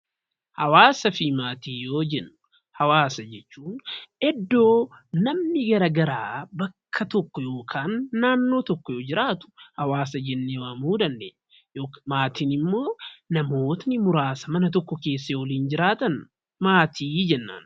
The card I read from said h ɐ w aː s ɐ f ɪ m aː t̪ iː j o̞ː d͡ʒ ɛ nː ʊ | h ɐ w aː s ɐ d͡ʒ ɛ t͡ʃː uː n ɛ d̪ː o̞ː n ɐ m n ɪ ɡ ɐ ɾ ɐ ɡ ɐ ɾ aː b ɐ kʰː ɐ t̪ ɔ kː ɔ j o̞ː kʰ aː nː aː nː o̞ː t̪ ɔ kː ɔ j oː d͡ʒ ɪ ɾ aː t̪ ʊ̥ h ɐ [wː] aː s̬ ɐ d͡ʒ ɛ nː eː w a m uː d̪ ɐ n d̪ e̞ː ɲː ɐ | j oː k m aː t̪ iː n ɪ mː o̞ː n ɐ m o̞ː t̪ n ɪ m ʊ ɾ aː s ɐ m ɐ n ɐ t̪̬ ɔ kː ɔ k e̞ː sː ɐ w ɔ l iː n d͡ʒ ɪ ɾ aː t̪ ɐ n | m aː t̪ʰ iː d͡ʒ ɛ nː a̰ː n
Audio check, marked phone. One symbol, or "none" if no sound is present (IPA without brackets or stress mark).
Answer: w